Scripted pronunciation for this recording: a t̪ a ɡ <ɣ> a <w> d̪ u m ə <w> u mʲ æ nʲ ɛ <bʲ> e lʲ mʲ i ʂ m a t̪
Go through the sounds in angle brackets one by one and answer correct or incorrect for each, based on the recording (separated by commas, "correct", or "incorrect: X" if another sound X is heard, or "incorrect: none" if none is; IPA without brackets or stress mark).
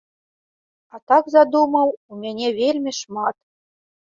incorrect: z, incorrect: none, correct, incorrect: vʲ